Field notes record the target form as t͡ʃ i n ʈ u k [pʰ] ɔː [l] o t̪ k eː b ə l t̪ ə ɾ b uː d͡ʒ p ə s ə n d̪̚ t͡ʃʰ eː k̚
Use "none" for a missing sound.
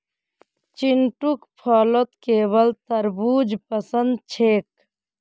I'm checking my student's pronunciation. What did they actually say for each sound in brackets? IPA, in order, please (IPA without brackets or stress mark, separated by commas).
pʰ, l